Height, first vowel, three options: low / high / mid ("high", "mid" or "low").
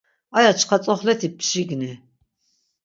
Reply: low